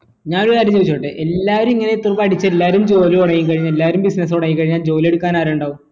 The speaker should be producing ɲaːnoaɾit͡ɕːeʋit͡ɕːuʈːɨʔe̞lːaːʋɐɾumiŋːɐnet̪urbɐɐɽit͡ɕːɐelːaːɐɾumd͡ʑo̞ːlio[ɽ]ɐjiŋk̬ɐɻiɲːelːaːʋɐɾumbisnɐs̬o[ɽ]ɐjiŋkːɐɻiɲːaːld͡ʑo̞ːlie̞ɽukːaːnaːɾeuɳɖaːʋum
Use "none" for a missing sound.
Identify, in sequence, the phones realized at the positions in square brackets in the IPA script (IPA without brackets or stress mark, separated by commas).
ɽ, ɽ